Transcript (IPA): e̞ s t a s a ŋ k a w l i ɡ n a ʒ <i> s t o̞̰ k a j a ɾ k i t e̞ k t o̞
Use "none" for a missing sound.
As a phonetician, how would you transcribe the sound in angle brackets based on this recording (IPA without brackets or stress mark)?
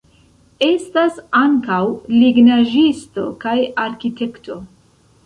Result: i